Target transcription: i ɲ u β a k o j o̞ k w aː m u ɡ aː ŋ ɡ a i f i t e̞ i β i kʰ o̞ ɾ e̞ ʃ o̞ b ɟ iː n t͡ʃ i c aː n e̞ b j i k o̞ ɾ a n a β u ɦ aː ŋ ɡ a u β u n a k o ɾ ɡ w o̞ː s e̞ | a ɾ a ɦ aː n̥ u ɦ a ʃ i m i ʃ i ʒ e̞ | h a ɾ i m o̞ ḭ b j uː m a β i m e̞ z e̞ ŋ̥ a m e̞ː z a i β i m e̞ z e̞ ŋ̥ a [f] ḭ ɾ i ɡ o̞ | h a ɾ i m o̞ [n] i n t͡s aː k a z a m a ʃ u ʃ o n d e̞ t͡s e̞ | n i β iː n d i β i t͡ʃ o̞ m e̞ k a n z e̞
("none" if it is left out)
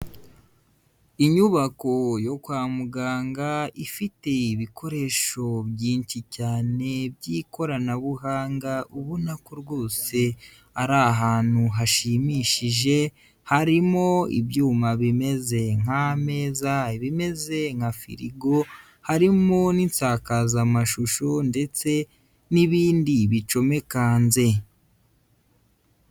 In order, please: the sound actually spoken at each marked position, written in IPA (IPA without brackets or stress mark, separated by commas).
f, n